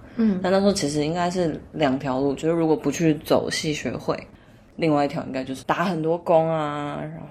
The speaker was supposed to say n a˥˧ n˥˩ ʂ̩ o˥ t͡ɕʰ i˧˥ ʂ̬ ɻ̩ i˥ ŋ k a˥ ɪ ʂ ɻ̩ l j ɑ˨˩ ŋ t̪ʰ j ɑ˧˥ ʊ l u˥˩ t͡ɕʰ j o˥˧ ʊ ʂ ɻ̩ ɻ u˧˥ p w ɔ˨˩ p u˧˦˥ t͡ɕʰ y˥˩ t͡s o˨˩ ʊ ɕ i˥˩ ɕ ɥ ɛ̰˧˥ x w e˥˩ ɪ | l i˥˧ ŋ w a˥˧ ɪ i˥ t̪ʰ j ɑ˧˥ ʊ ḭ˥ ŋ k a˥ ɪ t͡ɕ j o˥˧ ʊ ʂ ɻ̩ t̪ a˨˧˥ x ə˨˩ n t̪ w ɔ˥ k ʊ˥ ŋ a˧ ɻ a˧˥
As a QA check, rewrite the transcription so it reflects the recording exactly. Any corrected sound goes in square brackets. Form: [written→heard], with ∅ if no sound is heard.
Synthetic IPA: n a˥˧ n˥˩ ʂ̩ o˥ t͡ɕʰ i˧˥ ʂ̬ ɻ̩ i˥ ŋ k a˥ ɪ ʂ ɻ̩ l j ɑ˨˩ ŋ t̪ʰ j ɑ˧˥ ʊ l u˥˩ [t͡ɕʰ→t͡ɕ] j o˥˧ ʊ ʂ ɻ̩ ɻ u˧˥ [p→k] w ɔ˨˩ p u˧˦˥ t͡ɕʰ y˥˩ t͡s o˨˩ ʊ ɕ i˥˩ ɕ ɥ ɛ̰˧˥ x w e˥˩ ɪ | l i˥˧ ŋ w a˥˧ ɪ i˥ t̪ʰ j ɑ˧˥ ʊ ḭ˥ ŋ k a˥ ɪ t͡ɕ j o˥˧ ʊ ʂ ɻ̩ t̪ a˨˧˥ x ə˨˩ n t̪ w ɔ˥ k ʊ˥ ŋ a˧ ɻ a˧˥